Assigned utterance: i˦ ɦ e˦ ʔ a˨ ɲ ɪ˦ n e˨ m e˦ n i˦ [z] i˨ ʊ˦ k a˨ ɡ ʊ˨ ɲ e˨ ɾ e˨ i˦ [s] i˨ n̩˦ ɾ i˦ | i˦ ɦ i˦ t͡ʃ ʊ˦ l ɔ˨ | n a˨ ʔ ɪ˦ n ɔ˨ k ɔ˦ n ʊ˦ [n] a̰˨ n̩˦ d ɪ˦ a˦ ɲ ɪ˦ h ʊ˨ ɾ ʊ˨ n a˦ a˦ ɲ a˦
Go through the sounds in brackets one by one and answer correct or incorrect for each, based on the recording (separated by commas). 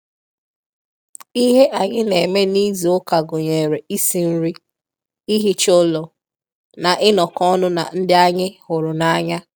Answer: correct, correct, correct